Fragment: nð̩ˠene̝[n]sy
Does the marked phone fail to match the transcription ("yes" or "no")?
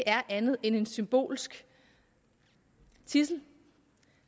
no